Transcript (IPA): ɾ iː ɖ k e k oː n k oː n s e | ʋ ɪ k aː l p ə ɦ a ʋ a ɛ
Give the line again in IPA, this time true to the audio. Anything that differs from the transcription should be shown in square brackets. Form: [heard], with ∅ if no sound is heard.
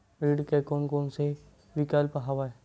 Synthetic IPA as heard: ɾ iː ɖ k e k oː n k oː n s e | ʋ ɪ k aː l p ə ɦ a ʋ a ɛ